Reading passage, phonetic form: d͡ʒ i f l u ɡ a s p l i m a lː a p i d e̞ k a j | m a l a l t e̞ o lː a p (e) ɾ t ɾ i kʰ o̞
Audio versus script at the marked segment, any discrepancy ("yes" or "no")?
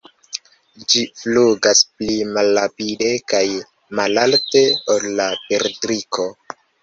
no